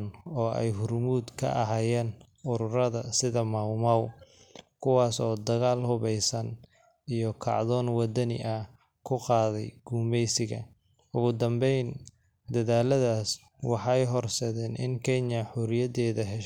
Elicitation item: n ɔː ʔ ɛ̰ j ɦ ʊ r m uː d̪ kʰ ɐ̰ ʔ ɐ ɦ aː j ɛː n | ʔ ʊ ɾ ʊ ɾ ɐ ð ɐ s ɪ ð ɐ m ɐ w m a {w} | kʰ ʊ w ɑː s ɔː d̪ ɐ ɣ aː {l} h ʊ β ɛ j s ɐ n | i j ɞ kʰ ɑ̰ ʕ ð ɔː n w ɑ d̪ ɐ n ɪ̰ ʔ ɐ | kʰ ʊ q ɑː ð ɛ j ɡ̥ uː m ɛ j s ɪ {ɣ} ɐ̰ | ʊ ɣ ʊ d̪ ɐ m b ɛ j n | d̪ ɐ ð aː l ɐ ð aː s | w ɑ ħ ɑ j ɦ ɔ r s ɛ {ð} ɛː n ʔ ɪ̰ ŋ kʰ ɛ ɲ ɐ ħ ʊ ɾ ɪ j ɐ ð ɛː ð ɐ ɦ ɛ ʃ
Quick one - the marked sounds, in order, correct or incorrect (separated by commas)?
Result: correct, correct, correct, correct